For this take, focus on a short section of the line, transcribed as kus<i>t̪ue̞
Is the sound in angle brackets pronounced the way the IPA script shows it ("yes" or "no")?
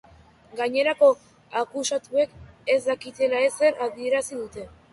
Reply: no